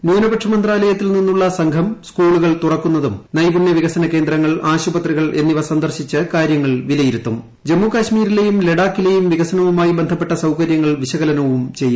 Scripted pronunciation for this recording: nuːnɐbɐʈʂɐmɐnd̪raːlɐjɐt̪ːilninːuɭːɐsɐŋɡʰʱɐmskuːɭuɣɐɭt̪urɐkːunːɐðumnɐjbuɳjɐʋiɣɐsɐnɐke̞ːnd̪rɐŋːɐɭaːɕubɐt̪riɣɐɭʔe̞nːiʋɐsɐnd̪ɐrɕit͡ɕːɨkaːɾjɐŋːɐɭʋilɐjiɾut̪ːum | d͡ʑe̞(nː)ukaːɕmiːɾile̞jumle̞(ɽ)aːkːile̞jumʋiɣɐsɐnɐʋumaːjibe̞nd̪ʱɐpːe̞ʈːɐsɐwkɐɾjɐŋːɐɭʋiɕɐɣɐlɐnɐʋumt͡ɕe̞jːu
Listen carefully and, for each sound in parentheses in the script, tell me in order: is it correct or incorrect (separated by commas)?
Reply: incorrect, correct